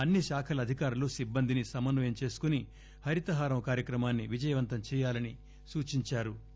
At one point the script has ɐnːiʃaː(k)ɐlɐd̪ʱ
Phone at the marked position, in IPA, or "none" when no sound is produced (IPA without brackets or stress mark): kʰ